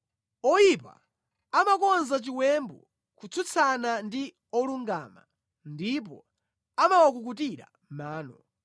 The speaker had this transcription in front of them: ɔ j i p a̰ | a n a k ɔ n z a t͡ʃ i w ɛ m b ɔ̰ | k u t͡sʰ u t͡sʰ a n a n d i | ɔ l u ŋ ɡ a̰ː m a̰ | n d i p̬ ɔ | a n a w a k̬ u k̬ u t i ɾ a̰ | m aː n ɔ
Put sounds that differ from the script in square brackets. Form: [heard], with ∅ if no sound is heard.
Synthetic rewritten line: ɔ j i p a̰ | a [m] a k ɔ n z a t͡ʃ i w ɛ m b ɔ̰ | k u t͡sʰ u t͡sʰ a n a n d i | ɔ l u ŋ ɡ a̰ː m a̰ | n d i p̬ ɔ | a [m] a w a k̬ u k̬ u t i ɾ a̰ | m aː n ɔ